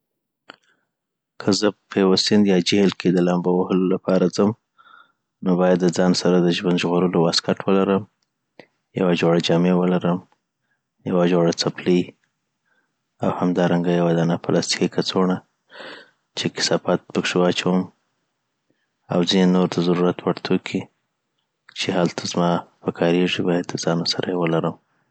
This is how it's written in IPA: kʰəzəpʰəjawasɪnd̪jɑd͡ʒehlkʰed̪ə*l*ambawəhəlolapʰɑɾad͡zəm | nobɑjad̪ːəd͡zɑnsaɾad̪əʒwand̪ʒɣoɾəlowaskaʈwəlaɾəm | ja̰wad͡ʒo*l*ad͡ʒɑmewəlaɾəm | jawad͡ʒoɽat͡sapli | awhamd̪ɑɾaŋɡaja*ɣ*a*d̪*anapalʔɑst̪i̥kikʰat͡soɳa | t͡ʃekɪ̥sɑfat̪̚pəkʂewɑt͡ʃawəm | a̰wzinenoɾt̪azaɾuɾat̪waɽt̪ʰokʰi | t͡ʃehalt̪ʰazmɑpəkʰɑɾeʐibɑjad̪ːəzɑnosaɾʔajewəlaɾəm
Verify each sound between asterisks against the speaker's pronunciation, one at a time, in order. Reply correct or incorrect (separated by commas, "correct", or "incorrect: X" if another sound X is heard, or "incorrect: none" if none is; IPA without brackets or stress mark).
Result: correct, incorrect: ɽ, incorrect: w, correct